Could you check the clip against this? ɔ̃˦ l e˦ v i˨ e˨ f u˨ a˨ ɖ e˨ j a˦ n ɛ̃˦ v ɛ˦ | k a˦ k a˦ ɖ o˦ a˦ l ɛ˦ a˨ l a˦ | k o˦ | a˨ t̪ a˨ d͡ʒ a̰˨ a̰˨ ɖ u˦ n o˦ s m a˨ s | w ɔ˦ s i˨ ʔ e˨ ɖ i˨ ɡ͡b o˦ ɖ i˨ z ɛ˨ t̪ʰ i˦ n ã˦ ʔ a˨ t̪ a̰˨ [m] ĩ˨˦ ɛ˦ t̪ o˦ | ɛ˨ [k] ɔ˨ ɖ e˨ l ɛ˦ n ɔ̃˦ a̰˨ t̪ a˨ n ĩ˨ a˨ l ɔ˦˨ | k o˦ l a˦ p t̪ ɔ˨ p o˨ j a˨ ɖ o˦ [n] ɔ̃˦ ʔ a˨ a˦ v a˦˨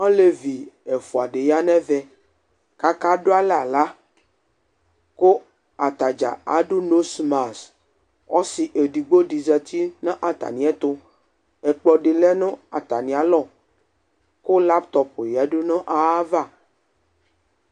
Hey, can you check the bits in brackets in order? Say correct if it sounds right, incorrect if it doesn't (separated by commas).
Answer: incorrect, incorrect, correct